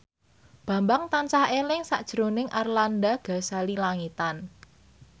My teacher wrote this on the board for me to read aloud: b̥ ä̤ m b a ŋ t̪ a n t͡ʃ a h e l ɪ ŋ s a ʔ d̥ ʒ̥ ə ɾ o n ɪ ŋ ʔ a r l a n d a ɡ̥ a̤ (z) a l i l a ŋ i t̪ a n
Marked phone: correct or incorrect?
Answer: incorrect